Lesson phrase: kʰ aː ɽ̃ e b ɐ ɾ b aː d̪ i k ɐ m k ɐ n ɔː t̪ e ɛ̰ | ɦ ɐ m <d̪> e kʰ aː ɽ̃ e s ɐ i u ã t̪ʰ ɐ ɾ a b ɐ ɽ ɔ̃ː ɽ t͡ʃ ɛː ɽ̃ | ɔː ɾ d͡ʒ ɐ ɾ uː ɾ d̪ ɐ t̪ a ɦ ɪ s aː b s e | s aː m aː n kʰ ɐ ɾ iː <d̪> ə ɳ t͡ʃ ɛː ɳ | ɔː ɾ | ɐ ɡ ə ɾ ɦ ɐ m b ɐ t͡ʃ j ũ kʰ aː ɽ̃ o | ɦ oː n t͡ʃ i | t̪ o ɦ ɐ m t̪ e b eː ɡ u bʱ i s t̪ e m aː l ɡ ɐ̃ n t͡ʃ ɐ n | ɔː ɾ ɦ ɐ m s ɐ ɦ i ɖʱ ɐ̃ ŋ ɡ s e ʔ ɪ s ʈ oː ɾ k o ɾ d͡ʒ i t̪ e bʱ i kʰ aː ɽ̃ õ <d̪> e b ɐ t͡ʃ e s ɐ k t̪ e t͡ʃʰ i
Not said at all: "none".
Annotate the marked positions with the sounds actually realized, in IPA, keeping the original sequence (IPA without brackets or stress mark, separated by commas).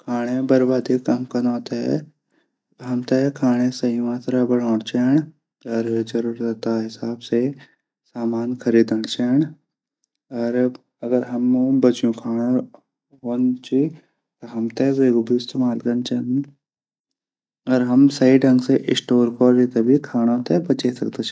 t̪, d̪, t̪